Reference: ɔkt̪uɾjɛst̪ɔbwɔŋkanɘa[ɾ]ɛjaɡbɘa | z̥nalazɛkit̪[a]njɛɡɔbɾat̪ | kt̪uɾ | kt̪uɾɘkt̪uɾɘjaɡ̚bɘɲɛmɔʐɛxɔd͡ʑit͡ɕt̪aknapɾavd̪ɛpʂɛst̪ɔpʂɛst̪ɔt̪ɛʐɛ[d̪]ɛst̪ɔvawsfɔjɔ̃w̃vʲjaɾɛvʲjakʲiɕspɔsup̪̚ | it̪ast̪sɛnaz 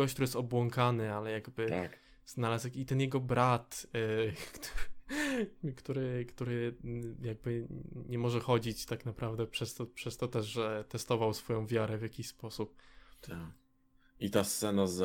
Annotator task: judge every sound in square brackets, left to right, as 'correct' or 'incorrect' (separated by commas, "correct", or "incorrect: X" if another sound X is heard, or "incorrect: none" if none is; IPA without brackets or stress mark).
incorrect: l, incorrect: ɛ, incorrect: t̪